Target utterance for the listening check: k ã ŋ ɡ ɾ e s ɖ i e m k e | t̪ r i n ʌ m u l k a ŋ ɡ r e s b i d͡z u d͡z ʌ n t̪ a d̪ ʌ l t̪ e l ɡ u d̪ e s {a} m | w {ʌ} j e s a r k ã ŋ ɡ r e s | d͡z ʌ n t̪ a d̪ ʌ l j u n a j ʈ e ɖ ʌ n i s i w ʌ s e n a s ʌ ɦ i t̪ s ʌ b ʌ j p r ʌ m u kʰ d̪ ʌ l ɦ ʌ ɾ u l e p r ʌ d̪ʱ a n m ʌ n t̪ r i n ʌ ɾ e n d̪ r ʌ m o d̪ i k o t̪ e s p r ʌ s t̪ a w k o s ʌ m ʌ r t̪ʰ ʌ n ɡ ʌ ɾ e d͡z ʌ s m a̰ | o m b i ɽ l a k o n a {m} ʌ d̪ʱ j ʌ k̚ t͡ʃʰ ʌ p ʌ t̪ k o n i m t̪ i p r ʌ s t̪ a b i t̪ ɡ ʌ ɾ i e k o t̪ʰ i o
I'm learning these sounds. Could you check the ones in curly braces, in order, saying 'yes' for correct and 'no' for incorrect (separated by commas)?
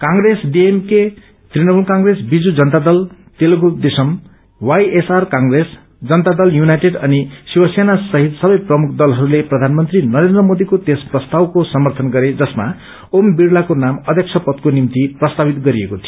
no, no, yes